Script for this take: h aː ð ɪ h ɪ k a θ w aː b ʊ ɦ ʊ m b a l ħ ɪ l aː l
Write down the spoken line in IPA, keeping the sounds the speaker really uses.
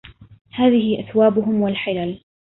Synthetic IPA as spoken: h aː ð ɪ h ɪ ʔ a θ w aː b ʊ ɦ ʊ m w a l ħ ɪ l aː l